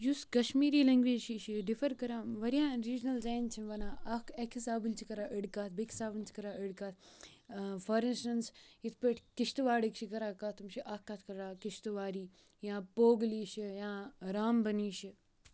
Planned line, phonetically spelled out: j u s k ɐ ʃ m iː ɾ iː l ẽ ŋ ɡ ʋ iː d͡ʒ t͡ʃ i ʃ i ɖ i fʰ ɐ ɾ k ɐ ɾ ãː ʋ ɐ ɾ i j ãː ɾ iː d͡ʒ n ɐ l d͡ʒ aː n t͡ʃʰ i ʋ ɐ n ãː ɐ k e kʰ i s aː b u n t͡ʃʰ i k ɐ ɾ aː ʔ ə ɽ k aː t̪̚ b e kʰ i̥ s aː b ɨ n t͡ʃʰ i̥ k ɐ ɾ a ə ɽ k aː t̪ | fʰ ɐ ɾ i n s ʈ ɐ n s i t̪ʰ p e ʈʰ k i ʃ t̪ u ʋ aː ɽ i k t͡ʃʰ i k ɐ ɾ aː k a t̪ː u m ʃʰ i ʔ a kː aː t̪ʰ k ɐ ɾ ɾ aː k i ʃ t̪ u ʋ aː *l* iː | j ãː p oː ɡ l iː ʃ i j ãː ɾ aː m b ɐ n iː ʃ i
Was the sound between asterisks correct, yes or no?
no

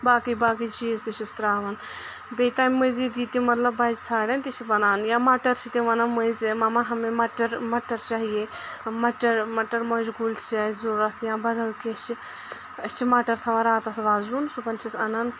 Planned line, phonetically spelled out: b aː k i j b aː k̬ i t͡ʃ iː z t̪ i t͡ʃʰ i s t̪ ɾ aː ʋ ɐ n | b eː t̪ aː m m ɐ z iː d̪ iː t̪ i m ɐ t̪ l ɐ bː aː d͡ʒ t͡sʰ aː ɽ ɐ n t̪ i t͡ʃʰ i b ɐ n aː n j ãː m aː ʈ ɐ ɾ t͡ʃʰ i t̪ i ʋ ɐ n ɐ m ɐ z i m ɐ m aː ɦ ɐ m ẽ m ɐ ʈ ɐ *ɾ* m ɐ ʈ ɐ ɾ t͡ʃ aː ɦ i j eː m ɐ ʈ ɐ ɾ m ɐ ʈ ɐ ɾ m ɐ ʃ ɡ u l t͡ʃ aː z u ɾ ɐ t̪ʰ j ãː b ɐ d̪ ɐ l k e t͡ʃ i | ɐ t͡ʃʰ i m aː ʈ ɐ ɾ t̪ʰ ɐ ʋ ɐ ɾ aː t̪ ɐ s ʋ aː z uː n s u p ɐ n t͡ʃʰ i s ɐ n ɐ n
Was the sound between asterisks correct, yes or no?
yes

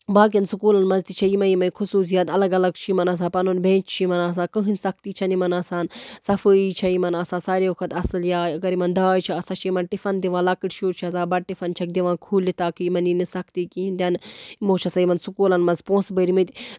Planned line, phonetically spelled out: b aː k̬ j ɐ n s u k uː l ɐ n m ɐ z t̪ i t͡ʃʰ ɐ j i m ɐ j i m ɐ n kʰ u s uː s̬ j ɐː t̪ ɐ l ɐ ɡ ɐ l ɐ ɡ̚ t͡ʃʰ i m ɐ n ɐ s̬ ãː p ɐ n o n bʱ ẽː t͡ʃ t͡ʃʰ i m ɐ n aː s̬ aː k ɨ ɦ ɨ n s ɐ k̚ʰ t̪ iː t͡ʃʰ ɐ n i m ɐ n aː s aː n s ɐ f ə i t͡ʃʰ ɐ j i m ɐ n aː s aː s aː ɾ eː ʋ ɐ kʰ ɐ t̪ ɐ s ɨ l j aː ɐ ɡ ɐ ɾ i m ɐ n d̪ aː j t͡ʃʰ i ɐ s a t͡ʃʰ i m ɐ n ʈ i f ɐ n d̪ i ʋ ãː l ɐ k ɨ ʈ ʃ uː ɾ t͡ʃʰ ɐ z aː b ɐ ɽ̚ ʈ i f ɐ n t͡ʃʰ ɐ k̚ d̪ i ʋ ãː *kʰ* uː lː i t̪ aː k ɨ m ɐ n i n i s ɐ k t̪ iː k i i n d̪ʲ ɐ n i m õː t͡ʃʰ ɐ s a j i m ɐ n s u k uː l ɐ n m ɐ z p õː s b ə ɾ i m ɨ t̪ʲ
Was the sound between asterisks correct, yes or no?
yes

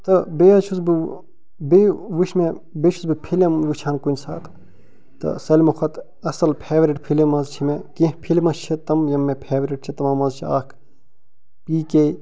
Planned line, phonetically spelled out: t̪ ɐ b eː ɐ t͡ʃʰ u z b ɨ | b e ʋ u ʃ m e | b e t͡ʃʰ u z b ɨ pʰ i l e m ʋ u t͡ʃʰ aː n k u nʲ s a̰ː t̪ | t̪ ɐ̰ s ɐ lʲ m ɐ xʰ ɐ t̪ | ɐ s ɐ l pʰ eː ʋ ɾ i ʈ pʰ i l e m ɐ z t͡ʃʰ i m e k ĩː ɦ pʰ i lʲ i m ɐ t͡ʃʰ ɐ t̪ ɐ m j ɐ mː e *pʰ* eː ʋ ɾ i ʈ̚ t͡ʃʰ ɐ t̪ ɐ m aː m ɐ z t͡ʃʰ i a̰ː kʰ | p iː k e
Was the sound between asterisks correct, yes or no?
yes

